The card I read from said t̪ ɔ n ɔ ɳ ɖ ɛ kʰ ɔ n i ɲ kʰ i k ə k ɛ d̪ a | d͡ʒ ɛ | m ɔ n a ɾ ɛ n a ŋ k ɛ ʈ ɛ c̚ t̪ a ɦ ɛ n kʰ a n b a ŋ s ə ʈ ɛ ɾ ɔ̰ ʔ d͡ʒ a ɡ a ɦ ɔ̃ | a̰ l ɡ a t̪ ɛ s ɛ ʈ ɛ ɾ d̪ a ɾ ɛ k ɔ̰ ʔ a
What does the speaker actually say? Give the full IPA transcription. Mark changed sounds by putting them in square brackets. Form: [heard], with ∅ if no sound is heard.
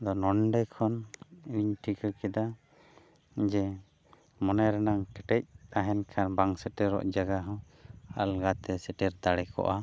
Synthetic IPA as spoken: [d̪] ɔ n ɔ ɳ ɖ ɛ kʰ ɔ n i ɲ [ʈʰ] i k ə k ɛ d̪ a | d͡ʒ ɛ | m ɔ n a ɾ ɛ n a ŋ k ɛ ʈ ɛ c̚ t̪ a ɦ ɛ n kʰ a n b a ŋ s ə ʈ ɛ ɾ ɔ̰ ʔ d͡ʒ a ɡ a ɦ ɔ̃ | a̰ l ɡ a t̪ ɛ s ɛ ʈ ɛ ɾ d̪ a [ɽ] ɛ k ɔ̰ ʔ a